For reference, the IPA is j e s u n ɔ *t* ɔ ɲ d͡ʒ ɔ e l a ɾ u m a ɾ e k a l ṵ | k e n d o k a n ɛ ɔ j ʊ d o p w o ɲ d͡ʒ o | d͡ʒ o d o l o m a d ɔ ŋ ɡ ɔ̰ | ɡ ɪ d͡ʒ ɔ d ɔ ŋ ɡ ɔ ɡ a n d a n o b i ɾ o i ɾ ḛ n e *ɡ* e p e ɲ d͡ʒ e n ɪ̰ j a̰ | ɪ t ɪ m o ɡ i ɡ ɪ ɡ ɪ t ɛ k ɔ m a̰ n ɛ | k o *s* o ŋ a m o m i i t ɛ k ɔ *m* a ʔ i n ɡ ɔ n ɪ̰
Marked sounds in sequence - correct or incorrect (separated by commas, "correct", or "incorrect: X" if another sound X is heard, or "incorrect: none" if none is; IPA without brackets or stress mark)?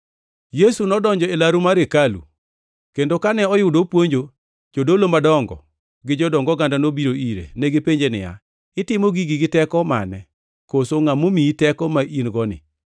incorrect: d, correct, correct, correct